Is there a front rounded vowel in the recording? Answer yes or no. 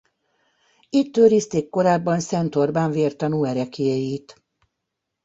yes